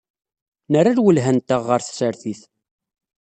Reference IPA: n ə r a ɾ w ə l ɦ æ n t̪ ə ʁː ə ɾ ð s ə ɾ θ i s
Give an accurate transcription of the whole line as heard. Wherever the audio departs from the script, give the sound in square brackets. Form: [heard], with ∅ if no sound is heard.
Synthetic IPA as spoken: n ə r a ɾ w ə l ɦ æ n t̪ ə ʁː ə ɾ [θ] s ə ɾ θ i [θ]